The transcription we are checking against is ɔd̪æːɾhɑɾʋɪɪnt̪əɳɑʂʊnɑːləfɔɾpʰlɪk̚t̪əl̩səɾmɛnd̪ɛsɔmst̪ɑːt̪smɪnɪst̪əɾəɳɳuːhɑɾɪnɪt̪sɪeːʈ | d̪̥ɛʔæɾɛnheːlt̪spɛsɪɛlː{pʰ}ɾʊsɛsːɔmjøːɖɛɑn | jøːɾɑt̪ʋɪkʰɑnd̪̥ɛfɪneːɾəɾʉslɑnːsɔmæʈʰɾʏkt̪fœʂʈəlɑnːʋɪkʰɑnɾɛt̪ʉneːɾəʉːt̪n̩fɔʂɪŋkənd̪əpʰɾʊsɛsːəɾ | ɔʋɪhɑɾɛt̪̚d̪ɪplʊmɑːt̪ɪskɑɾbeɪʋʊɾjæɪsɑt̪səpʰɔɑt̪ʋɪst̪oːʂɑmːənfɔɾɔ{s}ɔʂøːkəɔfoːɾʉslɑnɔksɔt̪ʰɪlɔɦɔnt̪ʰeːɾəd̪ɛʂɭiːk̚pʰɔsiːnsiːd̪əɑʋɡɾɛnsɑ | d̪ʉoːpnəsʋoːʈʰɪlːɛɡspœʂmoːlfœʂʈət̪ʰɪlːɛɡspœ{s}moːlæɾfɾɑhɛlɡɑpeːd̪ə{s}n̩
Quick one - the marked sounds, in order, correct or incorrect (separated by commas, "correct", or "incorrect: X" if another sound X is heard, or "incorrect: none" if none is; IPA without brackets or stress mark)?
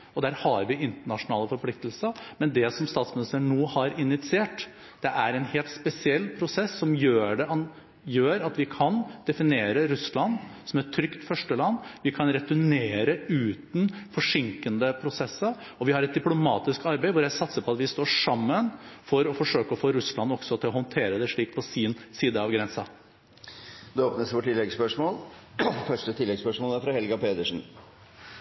correct, incorrect: f, incorrect: ʂ, incorrect: ʂ